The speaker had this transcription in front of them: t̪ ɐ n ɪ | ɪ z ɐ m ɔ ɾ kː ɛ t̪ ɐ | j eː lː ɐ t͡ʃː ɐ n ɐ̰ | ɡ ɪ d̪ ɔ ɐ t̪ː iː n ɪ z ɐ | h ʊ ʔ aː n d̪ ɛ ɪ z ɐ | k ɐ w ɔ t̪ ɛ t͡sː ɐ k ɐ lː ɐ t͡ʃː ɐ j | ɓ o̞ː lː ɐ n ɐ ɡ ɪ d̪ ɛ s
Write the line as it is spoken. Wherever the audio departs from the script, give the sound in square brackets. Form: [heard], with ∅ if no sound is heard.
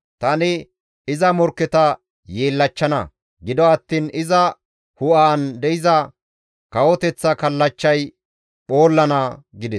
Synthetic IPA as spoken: t̪ ɐ n ɪ | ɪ z ɐ m ɔ ɾ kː ɛ t̪ ɐ | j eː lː ɐ t͡ʃː ɐ n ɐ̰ | ɡ ɪ d̪ ɔ ɐ t̪ː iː n ɪ z ɐ | h ʊ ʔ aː n d̪ ɛ ɪ z ɐ | k ɐ w ɔ t̪ ɛ t͡sː ɐ k ɐ lː ɐ t͡ʃː ɐ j | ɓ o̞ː lː ɐ n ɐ ɡ ɪ d̪ ɛ s